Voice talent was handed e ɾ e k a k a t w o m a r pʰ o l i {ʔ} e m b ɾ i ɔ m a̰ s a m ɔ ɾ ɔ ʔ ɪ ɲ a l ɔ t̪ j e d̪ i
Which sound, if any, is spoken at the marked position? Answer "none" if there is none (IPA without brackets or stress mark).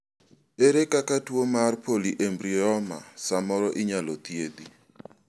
ʔ